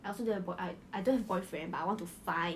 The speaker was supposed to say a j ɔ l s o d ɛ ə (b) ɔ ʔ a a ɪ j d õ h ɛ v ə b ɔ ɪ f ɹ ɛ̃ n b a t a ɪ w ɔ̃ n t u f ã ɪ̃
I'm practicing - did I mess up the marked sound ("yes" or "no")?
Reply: no